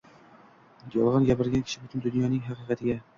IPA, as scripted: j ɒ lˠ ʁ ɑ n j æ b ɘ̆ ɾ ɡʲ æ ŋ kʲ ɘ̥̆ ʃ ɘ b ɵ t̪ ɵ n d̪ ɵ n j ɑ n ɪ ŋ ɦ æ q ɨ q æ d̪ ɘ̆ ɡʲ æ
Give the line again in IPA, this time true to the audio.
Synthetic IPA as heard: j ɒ lˠ ʁ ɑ n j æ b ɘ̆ ɾ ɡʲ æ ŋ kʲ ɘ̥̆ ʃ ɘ b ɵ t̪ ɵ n d̪ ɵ n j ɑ n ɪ ŋ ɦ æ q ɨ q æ t̪ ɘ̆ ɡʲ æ